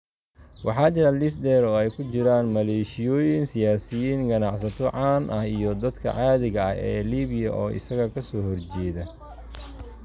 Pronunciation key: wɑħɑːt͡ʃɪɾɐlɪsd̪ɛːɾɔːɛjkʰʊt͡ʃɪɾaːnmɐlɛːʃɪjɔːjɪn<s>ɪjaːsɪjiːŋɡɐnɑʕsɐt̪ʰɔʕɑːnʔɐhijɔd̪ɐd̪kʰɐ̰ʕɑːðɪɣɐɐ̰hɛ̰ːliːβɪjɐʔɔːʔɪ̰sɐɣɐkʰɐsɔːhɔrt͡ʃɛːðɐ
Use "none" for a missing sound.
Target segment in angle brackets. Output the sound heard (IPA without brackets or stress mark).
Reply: s